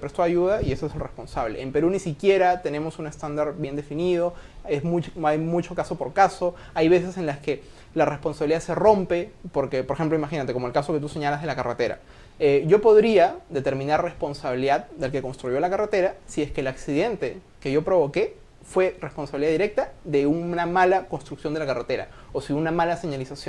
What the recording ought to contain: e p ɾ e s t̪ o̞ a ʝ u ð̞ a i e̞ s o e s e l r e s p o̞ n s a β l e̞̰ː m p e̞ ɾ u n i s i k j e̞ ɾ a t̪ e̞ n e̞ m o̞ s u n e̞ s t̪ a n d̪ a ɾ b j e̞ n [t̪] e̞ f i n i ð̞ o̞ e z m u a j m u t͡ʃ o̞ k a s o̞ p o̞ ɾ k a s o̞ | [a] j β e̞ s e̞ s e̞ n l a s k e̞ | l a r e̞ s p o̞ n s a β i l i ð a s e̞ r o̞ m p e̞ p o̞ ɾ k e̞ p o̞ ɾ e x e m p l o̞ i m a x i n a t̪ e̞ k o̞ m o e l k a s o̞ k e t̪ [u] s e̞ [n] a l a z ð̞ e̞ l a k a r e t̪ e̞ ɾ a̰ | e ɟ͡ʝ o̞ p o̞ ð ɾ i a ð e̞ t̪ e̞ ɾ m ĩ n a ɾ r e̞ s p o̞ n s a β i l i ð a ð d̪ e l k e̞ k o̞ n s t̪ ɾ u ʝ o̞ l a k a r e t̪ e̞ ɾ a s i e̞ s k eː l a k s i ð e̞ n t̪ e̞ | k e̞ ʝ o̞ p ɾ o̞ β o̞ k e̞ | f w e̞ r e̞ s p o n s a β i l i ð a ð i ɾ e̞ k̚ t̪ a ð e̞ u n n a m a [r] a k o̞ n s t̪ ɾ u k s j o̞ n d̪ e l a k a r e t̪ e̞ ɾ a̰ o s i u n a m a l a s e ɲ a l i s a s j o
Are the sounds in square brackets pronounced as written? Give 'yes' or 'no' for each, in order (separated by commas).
no, yes, yes, no, no